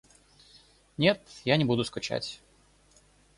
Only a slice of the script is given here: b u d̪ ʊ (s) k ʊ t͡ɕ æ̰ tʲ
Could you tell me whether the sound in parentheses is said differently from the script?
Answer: no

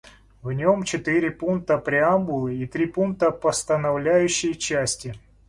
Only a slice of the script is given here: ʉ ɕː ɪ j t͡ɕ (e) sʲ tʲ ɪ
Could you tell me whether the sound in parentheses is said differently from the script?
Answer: yes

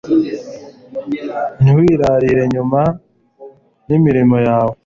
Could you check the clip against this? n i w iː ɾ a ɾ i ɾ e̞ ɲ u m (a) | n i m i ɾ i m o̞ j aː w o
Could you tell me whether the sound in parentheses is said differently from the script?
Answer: no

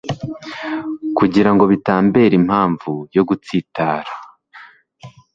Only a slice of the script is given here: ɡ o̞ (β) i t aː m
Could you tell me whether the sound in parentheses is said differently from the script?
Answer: no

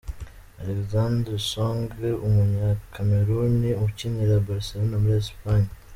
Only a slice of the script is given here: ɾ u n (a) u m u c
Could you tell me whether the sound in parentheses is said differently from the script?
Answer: yes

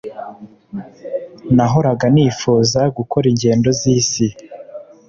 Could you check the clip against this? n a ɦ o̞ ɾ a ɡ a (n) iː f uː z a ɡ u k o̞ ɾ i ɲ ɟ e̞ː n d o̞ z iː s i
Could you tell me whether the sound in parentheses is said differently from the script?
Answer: no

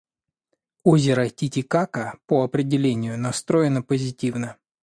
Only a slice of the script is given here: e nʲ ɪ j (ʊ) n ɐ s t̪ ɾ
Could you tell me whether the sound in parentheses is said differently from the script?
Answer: no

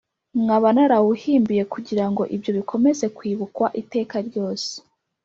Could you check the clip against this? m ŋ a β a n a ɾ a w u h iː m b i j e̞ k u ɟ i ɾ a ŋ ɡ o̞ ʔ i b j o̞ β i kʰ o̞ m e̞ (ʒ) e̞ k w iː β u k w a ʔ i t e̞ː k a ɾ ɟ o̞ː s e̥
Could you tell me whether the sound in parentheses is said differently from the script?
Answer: yes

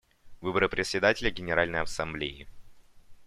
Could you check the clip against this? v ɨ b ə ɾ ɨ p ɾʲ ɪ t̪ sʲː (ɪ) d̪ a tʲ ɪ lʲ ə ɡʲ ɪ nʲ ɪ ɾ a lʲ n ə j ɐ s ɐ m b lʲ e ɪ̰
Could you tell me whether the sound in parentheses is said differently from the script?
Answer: no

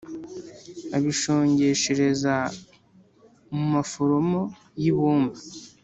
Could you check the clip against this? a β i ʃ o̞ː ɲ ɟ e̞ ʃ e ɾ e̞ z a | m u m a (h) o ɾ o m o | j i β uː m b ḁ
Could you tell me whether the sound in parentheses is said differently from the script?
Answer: yes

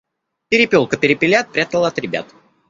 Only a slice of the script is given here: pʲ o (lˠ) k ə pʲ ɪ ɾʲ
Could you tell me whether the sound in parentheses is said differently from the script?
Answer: no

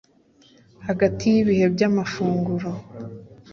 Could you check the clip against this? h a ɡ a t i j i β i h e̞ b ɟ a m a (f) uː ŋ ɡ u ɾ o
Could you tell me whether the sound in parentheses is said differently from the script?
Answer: no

